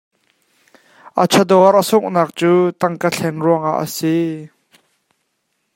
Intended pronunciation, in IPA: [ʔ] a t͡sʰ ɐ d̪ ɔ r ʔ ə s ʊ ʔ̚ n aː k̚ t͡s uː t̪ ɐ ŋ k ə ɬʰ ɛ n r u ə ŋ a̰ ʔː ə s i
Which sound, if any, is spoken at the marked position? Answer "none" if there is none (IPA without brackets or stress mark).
ʔ